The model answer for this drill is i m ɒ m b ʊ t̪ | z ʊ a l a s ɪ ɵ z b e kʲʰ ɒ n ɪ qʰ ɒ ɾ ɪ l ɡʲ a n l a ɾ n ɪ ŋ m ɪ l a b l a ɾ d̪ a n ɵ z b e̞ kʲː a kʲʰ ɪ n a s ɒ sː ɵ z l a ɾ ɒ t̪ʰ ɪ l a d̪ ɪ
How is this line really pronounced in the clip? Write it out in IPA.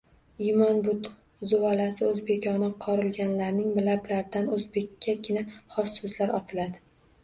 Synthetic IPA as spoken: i m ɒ n b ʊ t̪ | z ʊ a l a s ɪ ɵ z b e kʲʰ ɒ n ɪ qʰ ɒ ɾ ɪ l ɡʲ a n l a ɾ n ɪ ŋ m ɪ l a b l a ɾ d̪ a n ɵ z b e̞ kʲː a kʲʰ ɪ n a χ ɒ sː ɵ z l a ɾ ɒ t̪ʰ ɪ l a d̪ ɪ